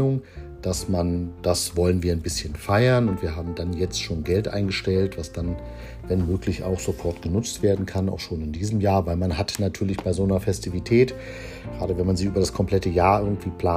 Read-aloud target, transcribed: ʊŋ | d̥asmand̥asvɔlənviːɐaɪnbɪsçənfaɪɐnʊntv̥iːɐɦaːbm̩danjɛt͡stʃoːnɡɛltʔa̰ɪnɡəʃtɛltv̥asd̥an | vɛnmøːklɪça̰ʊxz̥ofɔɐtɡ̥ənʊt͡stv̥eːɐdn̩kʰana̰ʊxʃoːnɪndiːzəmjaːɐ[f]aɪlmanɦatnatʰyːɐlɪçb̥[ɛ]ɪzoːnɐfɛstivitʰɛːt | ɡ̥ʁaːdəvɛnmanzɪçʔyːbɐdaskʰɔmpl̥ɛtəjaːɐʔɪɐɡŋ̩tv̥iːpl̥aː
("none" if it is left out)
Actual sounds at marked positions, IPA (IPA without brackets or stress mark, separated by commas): v, a